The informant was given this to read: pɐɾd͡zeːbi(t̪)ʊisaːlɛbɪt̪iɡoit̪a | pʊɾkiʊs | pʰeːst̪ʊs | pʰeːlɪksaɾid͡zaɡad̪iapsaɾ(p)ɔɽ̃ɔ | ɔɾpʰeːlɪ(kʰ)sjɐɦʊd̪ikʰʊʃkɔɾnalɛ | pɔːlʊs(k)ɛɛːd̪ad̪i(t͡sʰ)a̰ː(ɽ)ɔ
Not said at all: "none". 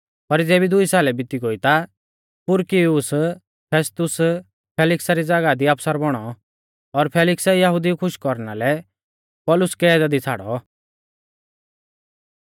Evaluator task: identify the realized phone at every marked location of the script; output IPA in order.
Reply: d̪, b, k, k, t͡sʰ, ɽ

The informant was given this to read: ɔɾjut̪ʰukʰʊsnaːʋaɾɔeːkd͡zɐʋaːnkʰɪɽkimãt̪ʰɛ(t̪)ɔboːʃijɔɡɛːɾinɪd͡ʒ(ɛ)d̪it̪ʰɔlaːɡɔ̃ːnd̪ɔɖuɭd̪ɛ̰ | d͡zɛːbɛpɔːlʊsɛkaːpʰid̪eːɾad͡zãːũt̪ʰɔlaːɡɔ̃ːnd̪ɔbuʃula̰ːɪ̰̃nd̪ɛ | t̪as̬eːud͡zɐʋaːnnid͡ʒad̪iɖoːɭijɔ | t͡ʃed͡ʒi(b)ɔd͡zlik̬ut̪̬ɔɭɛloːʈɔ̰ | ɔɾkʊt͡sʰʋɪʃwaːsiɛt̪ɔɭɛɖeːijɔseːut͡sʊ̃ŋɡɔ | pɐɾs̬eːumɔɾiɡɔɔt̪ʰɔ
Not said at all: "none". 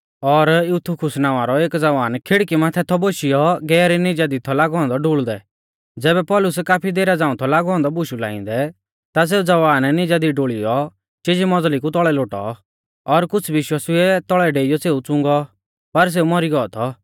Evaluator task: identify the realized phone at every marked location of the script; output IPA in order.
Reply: t̪ʰ, a, m

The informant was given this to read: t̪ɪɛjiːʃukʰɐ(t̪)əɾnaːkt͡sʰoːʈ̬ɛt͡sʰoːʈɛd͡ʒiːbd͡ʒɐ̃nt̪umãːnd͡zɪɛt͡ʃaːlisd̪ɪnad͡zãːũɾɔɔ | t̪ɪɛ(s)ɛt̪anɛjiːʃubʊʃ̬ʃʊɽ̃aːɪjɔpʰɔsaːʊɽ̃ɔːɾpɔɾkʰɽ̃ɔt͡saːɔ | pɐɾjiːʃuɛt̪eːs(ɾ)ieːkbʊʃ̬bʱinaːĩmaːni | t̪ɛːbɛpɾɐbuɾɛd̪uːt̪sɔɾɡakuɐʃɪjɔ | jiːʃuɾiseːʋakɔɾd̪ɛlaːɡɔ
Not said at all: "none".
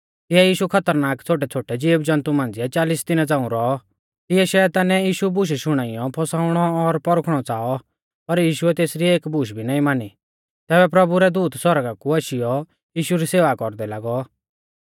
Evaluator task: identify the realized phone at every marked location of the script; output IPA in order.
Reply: t̪, ʃ, ɾ

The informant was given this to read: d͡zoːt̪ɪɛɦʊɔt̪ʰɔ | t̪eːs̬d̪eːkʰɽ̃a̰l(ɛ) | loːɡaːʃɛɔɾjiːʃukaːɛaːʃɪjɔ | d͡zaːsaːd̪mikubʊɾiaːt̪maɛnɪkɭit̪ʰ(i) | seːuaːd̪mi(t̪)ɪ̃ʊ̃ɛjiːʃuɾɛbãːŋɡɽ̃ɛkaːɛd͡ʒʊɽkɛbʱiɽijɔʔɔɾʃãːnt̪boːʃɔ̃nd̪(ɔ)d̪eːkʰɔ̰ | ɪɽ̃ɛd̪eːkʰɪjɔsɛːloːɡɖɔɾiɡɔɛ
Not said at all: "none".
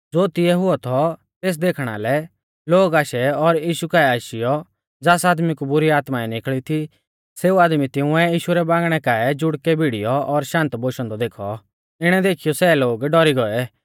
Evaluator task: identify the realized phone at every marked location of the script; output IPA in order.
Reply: ɛ, i, t̪, ɔ

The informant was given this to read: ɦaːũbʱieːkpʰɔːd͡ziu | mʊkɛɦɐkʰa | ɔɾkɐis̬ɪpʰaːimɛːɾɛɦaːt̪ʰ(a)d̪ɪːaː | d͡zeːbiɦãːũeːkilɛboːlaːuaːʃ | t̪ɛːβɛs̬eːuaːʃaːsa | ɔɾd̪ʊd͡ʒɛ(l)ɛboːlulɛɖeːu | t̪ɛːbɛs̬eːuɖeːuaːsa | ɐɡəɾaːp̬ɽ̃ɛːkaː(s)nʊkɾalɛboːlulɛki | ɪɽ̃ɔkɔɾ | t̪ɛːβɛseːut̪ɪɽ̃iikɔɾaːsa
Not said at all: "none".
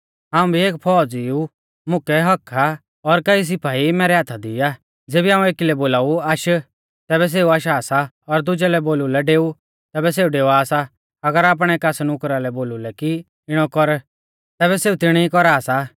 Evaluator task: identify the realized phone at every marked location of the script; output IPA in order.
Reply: a, l, s

